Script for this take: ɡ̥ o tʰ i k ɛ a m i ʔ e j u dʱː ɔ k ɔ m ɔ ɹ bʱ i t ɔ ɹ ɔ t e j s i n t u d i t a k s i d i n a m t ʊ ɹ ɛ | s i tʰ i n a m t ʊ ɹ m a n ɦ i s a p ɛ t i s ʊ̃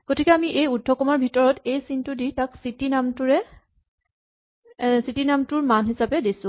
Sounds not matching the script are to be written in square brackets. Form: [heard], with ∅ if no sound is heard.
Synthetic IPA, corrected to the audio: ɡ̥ o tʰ i k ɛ a m i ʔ e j u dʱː ɔ k ɔ m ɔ ɹ bʱ i t ɔ ɹ ɔ t e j s i n t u d i t a k s i [t] i n a m t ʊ ɹ ɛ | s i [t] i n a m t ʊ ɹ m a n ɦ i s a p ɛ [d] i s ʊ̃

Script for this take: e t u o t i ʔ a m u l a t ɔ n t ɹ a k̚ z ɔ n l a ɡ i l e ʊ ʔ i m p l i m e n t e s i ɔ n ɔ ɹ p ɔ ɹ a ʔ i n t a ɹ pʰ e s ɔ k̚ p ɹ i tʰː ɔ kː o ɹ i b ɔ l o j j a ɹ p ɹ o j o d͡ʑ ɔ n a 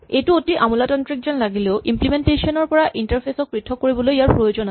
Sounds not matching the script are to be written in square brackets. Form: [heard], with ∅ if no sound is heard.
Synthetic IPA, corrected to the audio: e t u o t i ʔ a m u l a t ɔ n t ɹ [i] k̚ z ɔ n l a ɡ i l e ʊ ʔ i m p l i m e n t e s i ɔ n ɔ ɹ p ɔ ɹ a ʔ i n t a ɹ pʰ e s ɔ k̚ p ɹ i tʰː ɔ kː o ɹ i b ɔ l o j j a ɹ p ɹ o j o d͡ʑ ɔ n a

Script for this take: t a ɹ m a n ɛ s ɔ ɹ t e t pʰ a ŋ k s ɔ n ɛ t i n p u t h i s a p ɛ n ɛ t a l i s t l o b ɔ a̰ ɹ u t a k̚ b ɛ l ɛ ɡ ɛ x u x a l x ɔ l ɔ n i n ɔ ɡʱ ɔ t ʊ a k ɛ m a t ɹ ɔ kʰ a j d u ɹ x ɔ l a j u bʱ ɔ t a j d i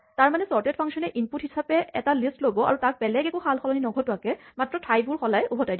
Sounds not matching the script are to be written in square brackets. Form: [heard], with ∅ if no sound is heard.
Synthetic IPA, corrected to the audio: t a ɹ m a n ɛ s ɔ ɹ t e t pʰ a ŋ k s ɔ n ɛ [ʔ] i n p u t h i s a p ɛ [∅] ɛ t a l i s t l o b ɔ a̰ ɹ u t a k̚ b ɛ l ɛ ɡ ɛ [k] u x a l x ɔ l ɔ n i n ɔ ɡʱ ɔ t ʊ a k ɛ m a t ɹ ɔ [tʰ] a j [b] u ɹ x ɔ l a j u bʱ ɔ t a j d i

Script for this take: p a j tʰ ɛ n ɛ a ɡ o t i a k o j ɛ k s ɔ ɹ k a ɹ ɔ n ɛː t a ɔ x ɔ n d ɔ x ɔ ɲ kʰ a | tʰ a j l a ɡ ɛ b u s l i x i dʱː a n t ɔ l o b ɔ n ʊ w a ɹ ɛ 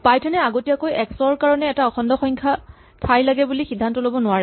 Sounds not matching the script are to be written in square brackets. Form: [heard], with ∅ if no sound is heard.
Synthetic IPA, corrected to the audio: p a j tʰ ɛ n ɛ a ɡ o t i a k o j ɛ k s ɔ ɹ k a ɹ ɔ n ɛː t a ɔ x ɔ n d ɔ x ɔ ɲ kʰ a | tʰ a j l a ɡ ɛ b u [∅] l i x i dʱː a n t ɔ l o b ɔ n ʊ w a ɹ ɛ

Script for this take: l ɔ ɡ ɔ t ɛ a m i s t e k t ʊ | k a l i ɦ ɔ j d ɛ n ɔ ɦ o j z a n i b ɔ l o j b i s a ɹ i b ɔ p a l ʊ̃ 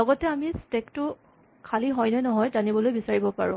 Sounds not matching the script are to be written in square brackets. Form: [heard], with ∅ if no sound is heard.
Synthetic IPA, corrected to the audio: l ɔ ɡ ɔ t ɛ a m i s t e k t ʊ | [kʰ] a l i ɦ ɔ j [n] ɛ n ɔ ɦ [ɔ] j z a n i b ɔ l o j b i s a ɹ i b ɔ p a [ɹ] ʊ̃

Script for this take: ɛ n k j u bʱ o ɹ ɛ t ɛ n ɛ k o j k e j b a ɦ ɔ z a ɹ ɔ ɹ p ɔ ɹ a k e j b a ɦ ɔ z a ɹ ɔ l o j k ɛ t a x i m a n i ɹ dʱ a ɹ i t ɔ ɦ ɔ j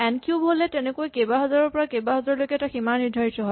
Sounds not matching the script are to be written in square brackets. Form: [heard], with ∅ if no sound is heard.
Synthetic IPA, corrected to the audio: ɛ n k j u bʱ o [l] ɛ t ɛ n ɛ k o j k e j b a ɦ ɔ z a ɹ ɔ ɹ p ɔ ɹ a k e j b a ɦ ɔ z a ɹ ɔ l o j k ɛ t a x i m a n i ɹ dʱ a ɹ i t ɔ ɦ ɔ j

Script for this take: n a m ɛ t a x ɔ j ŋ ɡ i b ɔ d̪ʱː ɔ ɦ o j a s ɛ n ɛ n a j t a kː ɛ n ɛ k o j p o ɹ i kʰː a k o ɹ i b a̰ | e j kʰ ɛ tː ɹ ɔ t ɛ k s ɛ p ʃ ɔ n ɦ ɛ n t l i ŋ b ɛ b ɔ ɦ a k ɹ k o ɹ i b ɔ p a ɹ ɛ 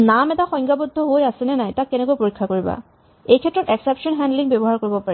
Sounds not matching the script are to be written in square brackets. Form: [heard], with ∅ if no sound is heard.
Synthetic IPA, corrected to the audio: n a m ɛ t a x ɔ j ŋ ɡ [a] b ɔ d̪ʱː ɔ ɦ o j a s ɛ n ɛ n a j t a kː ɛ n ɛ k o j p o ɹ i kʰː a k o ɹ i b a̰ | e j kʰ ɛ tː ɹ ɔ t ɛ k s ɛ p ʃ ɔ n ɦ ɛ n [d] l i ŋ b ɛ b ɔ ɦ a [∅] ɹ k o ɹ i b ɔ p a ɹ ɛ

